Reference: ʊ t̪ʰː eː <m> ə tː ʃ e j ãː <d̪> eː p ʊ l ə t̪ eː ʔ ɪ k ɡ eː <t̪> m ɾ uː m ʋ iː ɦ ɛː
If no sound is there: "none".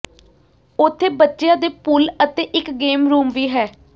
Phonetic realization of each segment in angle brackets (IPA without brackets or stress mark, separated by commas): b, d̪, none